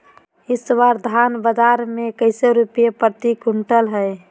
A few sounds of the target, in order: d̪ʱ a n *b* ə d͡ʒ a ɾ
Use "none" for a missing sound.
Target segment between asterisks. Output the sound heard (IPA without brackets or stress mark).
b